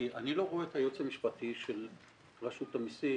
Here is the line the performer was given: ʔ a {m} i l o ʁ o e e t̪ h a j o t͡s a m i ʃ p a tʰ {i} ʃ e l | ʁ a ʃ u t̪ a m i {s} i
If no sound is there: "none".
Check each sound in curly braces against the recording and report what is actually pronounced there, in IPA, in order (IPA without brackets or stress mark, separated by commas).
n, i, s